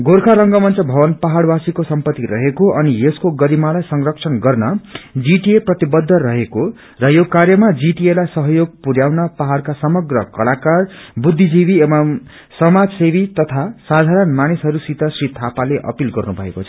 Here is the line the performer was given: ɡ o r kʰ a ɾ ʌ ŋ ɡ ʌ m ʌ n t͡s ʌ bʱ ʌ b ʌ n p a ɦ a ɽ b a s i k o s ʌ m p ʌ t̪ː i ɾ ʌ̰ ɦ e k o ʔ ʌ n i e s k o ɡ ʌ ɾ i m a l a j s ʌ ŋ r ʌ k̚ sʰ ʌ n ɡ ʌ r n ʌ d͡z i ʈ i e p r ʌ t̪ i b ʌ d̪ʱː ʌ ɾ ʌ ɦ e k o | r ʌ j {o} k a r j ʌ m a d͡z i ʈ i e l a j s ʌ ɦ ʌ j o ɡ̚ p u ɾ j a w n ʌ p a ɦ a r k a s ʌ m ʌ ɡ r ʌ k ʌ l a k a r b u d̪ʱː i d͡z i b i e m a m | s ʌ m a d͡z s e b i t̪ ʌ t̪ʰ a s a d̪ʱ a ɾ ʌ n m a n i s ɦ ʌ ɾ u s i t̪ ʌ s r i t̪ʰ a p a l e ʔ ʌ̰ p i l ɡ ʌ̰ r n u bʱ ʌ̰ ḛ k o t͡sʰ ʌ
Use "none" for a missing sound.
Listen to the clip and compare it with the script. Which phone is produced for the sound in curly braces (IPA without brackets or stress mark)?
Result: o